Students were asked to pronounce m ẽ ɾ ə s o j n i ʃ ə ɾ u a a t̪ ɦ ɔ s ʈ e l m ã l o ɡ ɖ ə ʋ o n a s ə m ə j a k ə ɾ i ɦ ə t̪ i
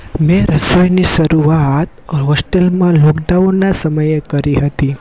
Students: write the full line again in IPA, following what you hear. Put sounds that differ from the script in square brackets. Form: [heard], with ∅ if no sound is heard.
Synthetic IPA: m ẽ ɾ ə s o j n i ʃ ə ɾ u a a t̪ ɦ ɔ s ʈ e l m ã l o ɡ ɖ [a] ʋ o n a s ə m ə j [e] k ə ɾ i ɦ ə t̪ i